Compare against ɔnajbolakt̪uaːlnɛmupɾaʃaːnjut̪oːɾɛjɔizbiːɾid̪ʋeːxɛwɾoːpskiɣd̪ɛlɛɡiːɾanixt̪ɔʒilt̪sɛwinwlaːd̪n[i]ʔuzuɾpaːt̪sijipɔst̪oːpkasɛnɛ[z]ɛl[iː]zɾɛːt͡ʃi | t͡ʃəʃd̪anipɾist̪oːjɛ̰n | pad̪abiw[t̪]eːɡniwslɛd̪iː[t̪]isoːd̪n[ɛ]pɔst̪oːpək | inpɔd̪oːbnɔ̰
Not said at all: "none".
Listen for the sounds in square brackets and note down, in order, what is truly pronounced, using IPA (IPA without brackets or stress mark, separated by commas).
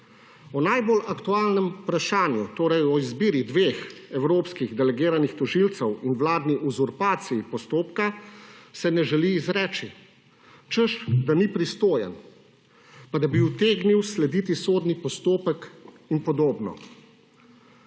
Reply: i, ʒ, iː, t̪, t̪, i